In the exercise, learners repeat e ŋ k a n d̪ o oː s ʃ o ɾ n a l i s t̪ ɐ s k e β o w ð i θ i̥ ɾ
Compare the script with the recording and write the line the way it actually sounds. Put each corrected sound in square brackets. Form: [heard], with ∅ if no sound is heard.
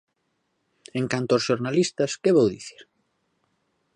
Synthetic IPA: e ŋ k a n [t̪] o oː s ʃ o ɾ n a l i s t̪ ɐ s k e β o w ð i θ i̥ ɾ

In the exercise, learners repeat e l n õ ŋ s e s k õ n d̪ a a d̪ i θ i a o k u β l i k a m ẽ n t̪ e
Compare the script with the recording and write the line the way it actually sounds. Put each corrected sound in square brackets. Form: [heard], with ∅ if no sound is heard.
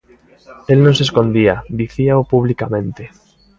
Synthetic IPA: e l n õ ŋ s e s k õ n d̪ [i] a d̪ i θ i a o [p] u β l i k a m ẽ n t̪ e

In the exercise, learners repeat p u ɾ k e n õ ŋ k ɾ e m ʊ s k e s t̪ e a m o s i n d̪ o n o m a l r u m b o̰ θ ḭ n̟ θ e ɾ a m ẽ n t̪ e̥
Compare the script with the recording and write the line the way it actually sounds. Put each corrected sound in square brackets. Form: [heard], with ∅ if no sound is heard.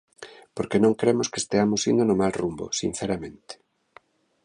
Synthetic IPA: p [o] ɾ k e n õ ŋ k ɾ e m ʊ s k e s t̪ e a m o s i n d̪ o n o m a l r u m b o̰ [s] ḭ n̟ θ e ɾ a m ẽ n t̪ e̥

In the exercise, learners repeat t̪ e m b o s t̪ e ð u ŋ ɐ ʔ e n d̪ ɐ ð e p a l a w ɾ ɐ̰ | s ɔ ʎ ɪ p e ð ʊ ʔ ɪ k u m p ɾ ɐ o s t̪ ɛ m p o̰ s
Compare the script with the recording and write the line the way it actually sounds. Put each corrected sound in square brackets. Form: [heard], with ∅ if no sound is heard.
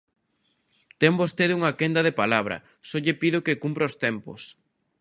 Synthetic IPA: t̪ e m b o s t̪ e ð u ŋ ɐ [k] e n d̪ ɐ ð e p a l a [β] ɾ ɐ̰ | s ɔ ʎ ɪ p [i] ð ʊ [k] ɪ k u m p ɾ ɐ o s t̪ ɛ m p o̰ s

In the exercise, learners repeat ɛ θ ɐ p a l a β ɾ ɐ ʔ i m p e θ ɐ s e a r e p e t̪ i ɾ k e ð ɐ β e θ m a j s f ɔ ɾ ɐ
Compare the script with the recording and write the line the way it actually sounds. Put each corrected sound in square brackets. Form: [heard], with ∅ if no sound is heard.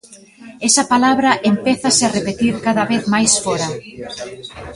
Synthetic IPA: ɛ [s] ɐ p a l a β ɾ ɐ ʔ [e] m p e θ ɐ s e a r e p e t̪ i ɾ k [a] ð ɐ β e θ m a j s f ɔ ɾ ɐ

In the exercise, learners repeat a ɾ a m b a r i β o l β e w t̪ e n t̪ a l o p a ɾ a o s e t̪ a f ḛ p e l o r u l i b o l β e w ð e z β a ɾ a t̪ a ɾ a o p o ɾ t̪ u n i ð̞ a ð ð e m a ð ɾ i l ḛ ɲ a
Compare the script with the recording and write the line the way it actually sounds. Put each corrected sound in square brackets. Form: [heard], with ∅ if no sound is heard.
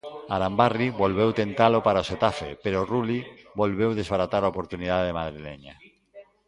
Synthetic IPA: a ɾ a m b a r i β o l β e w t̪ e n t̪ a l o p a ɾ a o s e t̪ a f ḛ p e [ɾ] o r u l i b o l β e w ð e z β a ɾ a t̪ a ɾ a o p o ɾ t̪ u n i ð̞ a ð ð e m a ð ɾ i l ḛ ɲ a

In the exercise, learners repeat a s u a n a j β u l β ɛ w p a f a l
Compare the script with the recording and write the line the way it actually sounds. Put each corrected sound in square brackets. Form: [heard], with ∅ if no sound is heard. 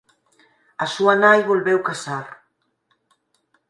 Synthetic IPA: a s u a n a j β [o] l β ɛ w [k] a [s] a [ɾ]

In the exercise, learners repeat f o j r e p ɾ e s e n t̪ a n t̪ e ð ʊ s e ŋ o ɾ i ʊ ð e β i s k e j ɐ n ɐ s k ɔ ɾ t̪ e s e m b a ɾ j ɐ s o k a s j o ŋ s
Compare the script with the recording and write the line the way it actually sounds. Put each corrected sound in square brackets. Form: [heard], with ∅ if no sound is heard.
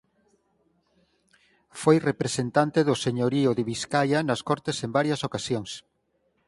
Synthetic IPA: f o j r e p ɾ e s e n t̪ a n t̪ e ð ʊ s e [ɲ] o ɾ i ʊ ð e β i s k [a] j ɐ n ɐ s k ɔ ɾ t̪ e s e m b a ɾ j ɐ s o k a s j o ŋ s

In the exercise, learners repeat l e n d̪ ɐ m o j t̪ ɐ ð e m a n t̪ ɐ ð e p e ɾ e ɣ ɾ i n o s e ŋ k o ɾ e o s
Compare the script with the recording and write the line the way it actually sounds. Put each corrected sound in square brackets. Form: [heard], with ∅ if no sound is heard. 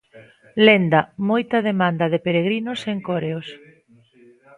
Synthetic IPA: l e n d̪ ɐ m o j t̪ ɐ ð e m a n [d̪] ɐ ð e p e ɾ e ɣ ɾ i n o s e ŋ k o ɾ e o s

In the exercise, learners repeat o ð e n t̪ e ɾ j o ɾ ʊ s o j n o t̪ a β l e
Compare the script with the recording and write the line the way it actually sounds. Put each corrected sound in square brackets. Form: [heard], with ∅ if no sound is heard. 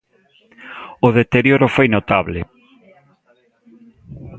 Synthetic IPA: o ð e [∅] t̪ e ɾ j o ɾ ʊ [f] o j n o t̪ a β l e

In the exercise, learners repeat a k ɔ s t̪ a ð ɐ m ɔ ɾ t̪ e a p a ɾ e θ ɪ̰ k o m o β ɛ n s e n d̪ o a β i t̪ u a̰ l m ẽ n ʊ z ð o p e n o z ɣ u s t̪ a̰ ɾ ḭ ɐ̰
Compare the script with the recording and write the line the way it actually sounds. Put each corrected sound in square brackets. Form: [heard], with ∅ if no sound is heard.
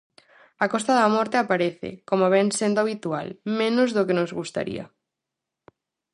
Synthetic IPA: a k ɔ s t̪ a ð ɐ m ɔ ɾ t̪ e a p a ɾ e θ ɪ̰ k o m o β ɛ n s e n d̪ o a β i t̪ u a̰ l m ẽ n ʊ z ð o [k] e n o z ɣ u s t̪ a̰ ɾ ḭ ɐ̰

